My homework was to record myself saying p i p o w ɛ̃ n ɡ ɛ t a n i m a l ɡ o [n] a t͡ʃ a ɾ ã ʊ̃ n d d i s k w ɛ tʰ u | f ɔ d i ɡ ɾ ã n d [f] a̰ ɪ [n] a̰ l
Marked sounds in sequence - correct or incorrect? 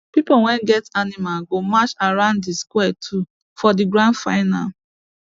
incorrect: m, correct, correct

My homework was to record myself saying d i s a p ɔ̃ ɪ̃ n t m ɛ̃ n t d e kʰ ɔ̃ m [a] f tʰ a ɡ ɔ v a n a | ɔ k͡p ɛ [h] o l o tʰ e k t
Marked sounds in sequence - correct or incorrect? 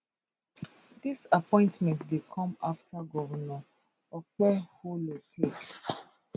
correct, correct

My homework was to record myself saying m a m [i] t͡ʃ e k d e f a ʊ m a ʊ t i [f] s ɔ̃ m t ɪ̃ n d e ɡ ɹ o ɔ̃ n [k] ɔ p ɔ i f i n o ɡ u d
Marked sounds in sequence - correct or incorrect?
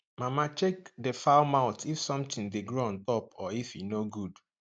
incorrect: a, correct, incorrect: t

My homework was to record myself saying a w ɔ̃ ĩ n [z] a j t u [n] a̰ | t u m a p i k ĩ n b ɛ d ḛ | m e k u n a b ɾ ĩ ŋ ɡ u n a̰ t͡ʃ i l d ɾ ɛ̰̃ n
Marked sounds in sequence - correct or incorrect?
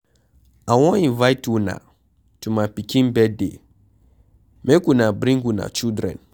incorrect: v, correct

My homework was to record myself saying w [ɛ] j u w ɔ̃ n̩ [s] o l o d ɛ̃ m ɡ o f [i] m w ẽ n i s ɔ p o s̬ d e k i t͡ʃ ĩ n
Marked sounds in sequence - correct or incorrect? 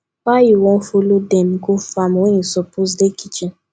incorrect: a, incorrect: f, incorrect: a

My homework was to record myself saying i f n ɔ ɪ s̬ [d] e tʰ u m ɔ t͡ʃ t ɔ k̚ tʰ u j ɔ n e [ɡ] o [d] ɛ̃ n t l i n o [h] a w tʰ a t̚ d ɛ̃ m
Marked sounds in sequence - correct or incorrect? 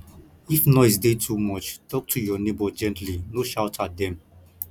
correct, incorrect: b, incorrect: d͡ʒ, incorrect: ʃ

